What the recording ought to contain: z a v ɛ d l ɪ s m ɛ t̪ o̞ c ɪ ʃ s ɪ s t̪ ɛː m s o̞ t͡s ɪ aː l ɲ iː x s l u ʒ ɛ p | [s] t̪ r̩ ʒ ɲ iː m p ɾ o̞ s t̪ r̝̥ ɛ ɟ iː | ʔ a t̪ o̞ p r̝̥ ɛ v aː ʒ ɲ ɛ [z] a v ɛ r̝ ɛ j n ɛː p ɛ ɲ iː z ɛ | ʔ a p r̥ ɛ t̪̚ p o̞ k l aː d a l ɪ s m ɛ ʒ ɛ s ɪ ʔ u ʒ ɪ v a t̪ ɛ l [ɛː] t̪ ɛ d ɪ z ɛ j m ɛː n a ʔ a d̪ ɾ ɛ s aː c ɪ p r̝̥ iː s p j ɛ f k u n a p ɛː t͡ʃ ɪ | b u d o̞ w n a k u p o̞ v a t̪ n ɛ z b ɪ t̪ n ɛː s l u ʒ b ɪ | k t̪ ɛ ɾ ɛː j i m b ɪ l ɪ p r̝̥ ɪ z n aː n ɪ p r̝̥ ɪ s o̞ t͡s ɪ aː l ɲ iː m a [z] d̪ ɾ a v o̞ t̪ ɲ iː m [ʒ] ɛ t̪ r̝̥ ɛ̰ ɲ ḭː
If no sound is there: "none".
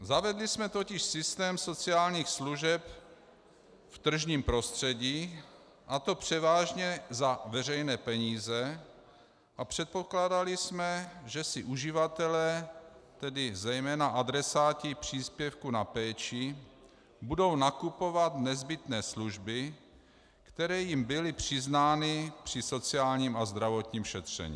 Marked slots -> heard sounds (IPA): f, z, ɛː, z, ʃ

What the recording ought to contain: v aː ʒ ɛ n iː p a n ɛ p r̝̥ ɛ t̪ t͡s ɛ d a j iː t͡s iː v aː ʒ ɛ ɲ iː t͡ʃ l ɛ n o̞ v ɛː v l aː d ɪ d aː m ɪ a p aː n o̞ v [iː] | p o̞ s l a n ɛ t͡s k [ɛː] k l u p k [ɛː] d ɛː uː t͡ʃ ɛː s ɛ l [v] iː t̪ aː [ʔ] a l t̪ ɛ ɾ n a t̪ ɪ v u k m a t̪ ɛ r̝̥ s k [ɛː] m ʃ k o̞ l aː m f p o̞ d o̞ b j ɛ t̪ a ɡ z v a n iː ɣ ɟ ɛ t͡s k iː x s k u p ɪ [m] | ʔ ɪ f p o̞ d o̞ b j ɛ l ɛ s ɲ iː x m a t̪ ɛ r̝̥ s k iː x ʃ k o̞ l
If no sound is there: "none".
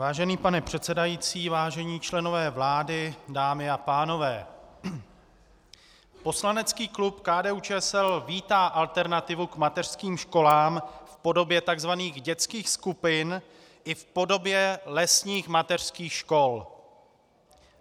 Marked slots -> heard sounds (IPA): ɛː, iː, aː, v, ʔ, iː, n

